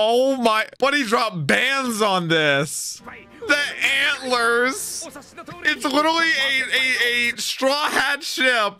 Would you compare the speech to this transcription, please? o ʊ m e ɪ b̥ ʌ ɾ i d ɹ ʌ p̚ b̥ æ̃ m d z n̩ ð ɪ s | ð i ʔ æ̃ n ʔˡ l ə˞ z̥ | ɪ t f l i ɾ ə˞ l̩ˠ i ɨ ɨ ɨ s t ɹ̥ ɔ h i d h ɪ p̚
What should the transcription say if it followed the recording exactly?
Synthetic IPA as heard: o ʊ m a ɪ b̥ ʌ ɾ i d ɹ ɑ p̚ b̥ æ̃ n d z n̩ ð ɪ s | ð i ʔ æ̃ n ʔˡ l ə˞ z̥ | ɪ t s l ɪ ɾ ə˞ l̩ˠ i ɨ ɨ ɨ s t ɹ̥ ɔ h æ d ʃ ɪ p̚